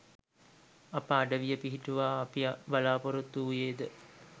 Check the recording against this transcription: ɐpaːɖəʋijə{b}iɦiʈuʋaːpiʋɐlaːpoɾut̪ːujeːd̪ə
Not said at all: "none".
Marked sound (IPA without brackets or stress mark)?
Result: p